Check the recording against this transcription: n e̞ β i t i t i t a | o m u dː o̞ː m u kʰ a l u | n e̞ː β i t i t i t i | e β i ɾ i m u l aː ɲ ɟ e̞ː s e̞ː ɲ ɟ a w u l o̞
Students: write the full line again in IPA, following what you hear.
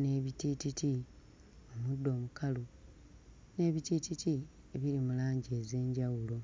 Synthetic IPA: n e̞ β i t i t i t i | o m u dː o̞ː m u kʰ a l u | n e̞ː β i t i t i t i | e β i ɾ i m u l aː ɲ ɟ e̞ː z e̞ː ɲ ɟ a w u l o̞